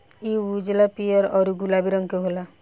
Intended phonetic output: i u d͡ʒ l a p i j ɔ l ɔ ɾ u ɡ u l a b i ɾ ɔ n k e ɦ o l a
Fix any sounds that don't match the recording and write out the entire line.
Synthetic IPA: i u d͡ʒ l a p i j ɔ ɾ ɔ ɾ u ɡ u l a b i ɾ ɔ ŋ k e ɦ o l a